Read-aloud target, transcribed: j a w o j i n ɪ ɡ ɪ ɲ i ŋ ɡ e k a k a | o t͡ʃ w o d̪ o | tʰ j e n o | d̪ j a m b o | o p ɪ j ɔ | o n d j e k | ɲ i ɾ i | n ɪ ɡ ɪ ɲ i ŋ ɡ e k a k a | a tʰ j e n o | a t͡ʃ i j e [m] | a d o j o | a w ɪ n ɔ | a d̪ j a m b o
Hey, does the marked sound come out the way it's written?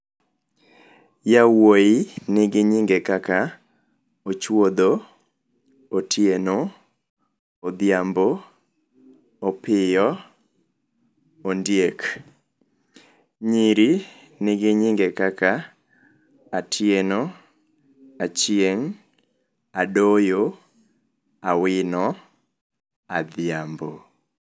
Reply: no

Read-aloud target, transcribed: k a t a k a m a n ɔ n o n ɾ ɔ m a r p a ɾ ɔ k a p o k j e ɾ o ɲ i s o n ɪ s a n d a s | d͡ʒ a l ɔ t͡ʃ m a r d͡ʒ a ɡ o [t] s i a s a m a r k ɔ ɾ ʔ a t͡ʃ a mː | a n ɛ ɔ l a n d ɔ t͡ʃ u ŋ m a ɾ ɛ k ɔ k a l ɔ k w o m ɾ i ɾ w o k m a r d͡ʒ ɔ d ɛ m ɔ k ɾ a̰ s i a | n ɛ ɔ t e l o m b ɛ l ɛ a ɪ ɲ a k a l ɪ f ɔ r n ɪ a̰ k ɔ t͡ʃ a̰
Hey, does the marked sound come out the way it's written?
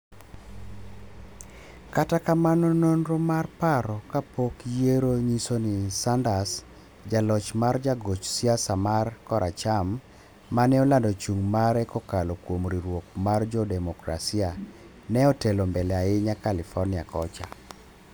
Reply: no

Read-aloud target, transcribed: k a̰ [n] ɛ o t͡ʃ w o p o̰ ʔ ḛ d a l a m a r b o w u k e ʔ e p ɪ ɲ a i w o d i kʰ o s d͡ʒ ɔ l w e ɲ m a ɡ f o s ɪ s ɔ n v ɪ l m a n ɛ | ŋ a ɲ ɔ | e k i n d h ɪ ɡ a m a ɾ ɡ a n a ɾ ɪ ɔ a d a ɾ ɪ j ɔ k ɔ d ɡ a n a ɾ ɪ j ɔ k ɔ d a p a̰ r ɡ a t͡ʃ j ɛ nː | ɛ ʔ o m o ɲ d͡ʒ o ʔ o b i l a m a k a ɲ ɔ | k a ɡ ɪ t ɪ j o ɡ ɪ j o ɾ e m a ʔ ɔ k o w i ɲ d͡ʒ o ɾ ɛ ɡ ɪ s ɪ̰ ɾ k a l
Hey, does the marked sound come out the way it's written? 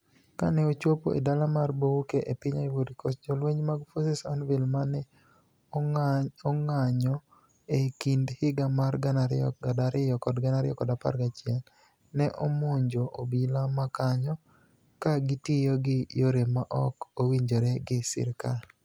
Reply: yes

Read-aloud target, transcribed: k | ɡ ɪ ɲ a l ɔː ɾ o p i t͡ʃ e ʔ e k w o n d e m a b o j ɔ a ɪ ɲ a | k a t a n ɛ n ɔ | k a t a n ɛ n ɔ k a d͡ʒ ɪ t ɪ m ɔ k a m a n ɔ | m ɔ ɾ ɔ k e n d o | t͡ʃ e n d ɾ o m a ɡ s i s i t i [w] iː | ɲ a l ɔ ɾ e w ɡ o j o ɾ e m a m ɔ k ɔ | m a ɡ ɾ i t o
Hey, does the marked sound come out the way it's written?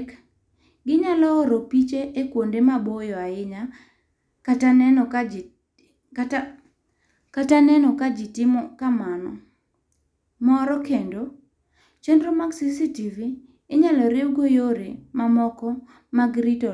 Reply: no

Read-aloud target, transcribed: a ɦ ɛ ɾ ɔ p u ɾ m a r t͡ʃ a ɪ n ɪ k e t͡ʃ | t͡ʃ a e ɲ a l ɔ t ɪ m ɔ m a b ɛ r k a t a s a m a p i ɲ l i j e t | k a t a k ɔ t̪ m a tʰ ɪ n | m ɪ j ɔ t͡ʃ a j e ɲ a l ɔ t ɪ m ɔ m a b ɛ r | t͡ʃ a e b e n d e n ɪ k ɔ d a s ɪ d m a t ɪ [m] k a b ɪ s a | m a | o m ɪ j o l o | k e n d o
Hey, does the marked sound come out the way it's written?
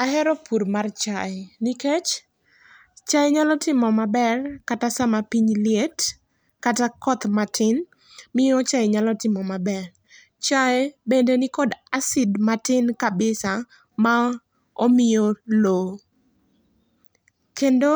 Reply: no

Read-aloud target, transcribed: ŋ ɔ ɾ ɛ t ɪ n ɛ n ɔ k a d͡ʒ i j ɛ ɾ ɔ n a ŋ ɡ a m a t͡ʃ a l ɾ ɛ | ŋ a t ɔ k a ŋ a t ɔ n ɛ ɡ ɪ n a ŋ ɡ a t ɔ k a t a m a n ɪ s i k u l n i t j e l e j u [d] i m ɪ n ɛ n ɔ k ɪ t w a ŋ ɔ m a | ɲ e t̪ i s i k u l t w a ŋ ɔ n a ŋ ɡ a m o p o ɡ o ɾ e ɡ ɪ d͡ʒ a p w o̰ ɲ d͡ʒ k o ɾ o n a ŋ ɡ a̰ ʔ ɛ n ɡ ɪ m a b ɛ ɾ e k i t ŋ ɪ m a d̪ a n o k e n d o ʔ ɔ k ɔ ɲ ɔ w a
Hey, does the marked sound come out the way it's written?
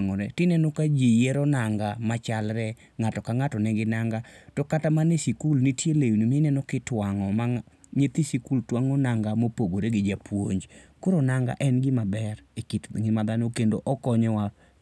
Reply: no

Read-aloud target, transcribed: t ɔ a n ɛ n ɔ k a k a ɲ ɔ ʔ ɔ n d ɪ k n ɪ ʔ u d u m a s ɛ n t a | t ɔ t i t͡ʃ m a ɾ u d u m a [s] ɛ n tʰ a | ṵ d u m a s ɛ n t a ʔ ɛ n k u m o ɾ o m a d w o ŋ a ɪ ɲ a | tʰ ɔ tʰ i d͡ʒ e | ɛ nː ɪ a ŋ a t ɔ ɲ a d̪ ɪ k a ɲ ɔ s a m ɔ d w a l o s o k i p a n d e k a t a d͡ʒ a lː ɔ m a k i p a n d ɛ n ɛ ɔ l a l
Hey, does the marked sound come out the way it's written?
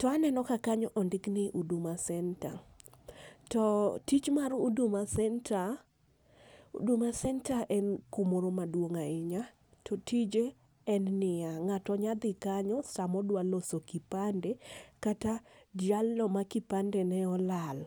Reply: yes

